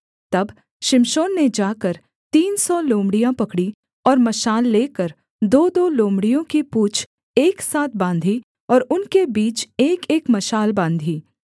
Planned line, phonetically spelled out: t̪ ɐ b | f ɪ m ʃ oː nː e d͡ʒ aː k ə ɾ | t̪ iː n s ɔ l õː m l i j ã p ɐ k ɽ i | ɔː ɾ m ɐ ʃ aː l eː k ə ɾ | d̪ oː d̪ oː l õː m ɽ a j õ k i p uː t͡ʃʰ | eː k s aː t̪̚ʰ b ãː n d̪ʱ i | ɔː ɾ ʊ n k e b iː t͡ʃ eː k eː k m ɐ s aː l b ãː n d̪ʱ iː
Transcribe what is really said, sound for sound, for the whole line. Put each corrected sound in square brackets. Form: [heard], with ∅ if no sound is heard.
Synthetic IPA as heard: t̪ ɐ b | [ʃ] ɪ m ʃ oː nː e d͡ʒ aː k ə ɾ | t̪ iː n s ɔ l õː m [ɽ] i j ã p ɐ k ɽ i | ɔː ɾ m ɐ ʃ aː [lː] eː k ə ɾ | d̪ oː d̪ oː l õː m ɽ [i] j õ k i p uː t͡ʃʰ | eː k s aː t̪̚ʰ b ãː n d̪ʱ i | ɔː ɾ ʊ n k e b iː t͡ʃ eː k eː k m ɐ [ʃ] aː l b ãː n d̪ʱ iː